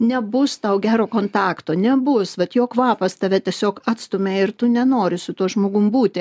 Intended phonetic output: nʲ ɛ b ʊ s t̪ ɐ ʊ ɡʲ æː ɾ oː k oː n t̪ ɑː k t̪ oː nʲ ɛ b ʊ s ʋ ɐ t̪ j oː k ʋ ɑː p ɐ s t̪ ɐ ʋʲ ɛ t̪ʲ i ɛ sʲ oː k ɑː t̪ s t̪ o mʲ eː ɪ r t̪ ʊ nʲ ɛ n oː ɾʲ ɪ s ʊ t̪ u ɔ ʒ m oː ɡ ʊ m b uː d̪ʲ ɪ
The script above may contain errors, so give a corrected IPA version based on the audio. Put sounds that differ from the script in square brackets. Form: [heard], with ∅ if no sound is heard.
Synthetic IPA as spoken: nʲ ɛ b ʊ s t̪ ɐ ʊ ɡʲ æː ɾ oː k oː n t̪ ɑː k t̪ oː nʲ ɛ b ʊ s ʋ ɐ t̪ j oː k ʋ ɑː p ɐ s t̪ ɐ ʋʲ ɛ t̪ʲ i ɛ sʲ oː k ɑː t̪ s t̪ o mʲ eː ɪ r t̪ ʊ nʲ ɛ n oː ɾʲ ɪ s ʊ t̪ u ɔ ʒ m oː ɡ ʊ m b uː [t̪ʲ] ɪ